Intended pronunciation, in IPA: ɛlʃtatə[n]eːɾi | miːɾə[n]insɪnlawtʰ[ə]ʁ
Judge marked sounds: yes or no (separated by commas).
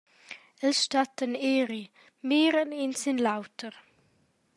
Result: yes, yes, yes